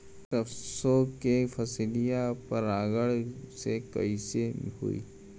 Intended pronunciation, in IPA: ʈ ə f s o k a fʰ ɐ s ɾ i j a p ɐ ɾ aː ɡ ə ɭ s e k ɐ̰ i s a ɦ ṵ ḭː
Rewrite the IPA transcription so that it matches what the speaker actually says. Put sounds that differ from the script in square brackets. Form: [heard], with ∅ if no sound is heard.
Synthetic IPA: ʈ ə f s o k [e] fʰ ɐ s [l] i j a p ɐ ɾ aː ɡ ə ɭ s e k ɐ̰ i s [e] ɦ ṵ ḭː